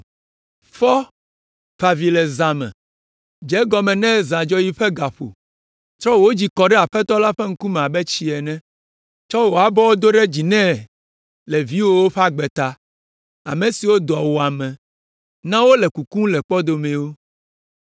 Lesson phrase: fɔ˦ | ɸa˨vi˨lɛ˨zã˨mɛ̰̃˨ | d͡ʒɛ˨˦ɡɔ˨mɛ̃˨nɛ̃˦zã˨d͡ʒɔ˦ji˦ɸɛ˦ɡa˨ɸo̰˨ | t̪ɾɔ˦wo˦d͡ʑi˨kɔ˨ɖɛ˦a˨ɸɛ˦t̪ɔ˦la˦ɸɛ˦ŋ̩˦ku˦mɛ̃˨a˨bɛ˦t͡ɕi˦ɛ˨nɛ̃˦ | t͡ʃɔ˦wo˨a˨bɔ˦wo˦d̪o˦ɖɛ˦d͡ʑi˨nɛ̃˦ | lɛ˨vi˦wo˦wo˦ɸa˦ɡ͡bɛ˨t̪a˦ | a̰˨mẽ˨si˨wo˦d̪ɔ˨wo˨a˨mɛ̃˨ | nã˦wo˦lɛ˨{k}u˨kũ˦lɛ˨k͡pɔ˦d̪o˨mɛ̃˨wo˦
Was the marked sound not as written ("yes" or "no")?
no